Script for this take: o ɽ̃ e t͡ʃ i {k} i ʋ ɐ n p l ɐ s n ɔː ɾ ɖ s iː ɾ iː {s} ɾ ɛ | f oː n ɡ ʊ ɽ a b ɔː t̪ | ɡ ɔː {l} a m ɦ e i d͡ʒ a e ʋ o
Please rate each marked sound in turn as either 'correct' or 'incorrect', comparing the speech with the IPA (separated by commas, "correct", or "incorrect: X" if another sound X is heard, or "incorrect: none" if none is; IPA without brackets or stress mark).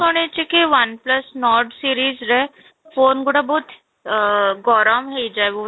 correct, incorrect: z, incorrect: ɾ